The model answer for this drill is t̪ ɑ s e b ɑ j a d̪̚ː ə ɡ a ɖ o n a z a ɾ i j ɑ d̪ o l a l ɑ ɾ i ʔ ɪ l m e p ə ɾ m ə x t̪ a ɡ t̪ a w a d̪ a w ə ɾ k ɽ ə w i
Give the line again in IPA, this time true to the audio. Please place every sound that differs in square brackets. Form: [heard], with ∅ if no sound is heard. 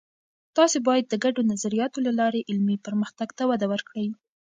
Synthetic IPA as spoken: t̪ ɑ s e b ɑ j a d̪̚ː ə ɡ a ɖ o n a z a ɾ i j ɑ [t̪] o l a l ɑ ɾ [e] ʔ ɪ l m [i] p ə ɾ m ə x t̪ a ɡ t̪ a w a d̪ a w ə ɾ k ɽ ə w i

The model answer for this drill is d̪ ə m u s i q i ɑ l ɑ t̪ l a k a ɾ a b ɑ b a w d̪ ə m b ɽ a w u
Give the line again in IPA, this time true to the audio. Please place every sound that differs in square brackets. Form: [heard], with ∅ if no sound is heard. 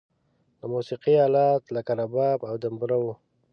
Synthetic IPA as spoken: d̪ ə m u s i q i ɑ l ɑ t̪ l a k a ɾ a b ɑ b a w d̪ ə m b [ɾ] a w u

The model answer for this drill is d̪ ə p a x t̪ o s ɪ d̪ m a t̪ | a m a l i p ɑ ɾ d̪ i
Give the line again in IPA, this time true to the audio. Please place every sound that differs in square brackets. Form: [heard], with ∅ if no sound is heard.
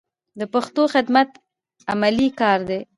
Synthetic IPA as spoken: d̪ ə p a x t̪ o [x] ɪ d̪ m a t̪ | a m a l i [k] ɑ ɾ d̪ [e]

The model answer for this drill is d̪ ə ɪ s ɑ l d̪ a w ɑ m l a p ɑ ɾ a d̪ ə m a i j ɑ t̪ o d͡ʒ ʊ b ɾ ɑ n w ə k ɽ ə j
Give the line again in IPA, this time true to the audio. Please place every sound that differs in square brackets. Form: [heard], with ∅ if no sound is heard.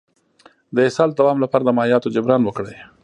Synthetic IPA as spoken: d̪ ə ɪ s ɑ l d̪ a w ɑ m l a p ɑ ɾ a d̪ ə m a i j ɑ t̪ o d͡ʒ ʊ b ɾ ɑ n w ə k ɽ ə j

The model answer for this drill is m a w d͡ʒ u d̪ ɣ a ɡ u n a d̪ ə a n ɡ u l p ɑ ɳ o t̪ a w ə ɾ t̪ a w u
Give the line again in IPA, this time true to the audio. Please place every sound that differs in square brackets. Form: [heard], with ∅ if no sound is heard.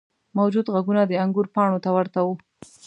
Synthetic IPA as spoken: m a w d͡ʒ u d̪ ɣ a ɡ u n a d̪ ə a [ŋ] ɡ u [ɾ] p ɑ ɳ o t̪ a w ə ɾ t̪ a w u

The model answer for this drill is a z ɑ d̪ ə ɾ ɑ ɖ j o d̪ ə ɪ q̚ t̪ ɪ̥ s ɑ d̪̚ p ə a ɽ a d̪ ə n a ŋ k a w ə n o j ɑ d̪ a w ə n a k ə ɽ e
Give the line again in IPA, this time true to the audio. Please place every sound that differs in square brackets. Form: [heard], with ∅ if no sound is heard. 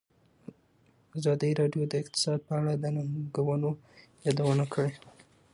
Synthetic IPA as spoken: a z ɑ d̪ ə ɾ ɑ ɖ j o d̪ ə ɪ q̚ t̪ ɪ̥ s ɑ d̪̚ p ə a ɽ a d̪ ə n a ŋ [ɡ] a w ə n o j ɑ d̪ a w ə n a k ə ɽ e

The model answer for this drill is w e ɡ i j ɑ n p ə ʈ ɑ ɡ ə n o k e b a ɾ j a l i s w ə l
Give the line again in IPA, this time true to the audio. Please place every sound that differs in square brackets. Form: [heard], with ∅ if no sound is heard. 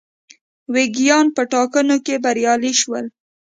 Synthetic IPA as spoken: w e ɡ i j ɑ n p ə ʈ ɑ [k] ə n o k e b a ɾ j [ɑ] l i [ʃ] w ə l

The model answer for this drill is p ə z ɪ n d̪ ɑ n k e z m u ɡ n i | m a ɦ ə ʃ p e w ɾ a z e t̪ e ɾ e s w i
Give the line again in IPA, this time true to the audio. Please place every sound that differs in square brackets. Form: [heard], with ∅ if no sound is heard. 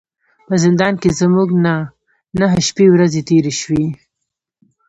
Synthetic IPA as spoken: p ə z ɪ n d̪ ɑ n k e z m u ɡ n [a] | [n] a ɦ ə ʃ p e w ɾ a z e t̪ e ɾ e [ʃ] w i

